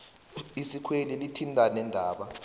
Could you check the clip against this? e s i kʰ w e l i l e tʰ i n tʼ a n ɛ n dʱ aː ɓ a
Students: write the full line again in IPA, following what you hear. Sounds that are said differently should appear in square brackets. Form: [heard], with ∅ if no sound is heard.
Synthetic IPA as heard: [i] s i kʰ w e l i l [i] tʰ i n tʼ a n ɛ n dʱ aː ɓ a